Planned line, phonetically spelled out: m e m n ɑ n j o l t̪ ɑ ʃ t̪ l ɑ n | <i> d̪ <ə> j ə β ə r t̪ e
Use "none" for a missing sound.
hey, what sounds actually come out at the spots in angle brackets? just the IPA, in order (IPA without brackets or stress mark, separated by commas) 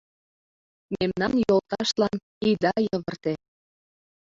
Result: i, ɑ